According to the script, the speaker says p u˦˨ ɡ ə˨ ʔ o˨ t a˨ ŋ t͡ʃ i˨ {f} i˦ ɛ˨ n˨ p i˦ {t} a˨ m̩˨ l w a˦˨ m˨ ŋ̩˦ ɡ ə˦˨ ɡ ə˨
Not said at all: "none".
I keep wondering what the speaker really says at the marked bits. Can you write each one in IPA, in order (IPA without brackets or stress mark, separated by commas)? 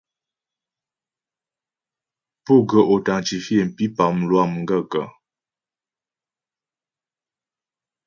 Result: f, p